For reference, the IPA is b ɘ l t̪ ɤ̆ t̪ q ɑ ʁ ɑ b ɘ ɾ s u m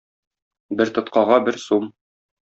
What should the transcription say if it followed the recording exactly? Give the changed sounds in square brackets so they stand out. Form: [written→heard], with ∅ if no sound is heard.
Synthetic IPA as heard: b ɘ [l→ɾ] t̪ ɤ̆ t̪ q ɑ ʁ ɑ b ɘ ɾ s u m